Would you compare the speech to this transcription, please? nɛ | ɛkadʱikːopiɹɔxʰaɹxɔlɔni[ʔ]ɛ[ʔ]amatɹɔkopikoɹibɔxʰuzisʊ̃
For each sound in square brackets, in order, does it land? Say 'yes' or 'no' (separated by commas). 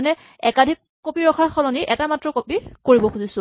yes, no